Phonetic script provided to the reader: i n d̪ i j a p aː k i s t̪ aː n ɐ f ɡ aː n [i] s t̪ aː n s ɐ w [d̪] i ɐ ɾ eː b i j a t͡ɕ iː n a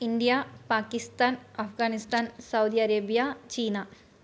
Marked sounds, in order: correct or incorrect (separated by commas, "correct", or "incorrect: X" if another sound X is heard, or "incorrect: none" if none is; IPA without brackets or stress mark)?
correct, correct